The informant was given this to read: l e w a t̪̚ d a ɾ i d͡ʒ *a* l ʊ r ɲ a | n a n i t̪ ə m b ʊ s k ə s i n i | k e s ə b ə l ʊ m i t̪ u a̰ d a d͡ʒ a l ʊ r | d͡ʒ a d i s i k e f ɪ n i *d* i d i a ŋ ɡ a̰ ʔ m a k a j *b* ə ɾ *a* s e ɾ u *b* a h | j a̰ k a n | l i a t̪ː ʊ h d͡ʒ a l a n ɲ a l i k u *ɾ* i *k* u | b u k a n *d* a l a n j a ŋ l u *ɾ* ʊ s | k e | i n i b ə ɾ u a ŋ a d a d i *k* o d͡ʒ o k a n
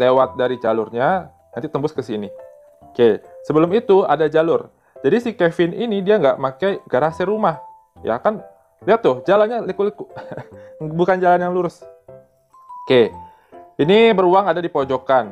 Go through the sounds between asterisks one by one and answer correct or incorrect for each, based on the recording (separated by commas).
correct, incorrect, incorrect, correct, incorrect, incorrect, correct, incorrect, correct, incorrect